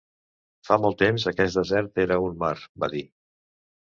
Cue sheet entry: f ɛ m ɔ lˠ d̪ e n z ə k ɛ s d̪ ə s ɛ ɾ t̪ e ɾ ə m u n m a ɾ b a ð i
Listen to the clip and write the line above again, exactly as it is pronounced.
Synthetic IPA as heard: f a m ɔ lˠ t̪ e m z ə k ɛ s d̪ ə z ɛ ɾ t̪ e ɾ ə u n m a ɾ b a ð i